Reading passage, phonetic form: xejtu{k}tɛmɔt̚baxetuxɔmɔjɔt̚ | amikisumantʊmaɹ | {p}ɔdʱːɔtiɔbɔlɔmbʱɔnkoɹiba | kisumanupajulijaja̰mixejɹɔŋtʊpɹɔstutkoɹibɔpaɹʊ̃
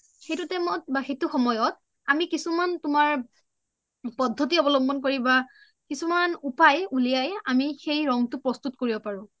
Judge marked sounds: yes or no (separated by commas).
no, yes